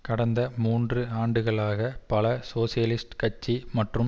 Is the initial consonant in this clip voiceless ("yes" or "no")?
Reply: yes